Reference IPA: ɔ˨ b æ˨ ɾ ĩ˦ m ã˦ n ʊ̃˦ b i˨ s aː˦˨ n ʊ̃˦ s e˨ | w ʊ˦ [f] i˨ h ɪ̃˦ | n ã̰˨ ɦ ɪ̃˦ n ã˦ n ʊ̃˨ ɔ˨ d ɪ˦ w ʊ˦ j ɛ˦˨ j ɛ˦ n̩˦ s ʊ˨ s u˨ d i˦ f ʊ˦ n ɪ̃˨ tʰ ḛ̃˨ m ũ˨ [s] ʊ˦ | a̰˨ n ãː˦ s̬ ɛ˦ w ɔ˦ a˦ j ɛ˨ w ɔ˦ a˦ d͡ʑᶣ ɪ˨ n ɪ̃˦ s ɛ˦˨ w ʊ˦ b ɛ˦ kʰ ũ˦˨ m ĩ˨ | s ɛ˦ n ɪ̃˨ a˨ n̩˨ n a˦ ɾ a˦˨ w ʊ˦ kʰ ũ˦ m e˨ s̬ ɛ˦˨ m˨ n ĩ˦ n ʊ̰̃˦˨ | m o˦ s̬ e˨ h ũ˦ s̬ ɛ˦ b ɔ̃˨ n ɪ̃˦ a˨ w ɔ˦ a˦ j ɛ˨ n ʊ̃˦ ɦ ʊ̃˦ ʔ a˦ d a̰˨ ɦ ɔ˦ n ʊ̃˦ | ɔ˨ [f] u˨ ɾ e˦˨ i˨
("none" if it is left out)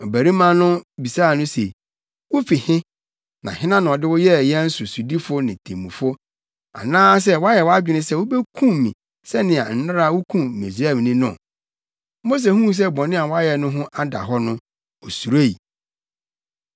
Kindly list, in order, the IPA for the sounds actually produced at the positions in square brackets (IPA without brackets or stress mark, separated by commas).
f, f, s